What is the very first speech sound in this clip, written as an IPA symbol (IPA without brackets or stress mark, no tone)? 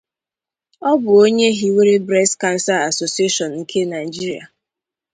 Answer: ɔ